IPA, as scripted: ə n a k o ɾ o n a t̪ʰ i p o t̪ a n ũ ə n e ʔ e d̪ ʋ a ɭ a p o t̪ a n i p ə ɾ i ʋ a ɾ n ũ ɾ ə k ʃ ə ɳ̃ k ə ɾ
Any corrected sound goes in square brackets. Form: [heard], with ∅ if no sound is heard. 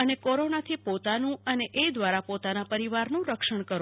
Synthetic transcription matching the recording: ə n [e] k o ɾ o n a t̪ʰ i p o t̪ a n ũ ə n e ʔ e d̪ ʋ a [ɾ] a p o t̪ a n [a] p ə ɾ i ʋ a ɾ n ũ ɾ ə k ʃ ə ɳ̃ k ə ɾ